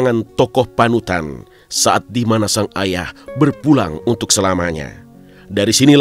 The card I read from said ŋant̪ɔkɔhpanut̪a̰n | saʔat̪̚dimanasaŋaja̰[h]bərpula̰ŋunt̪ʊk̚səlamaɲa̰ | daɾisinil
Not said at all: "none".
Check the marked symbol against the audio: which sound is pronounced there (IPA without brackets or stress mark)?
h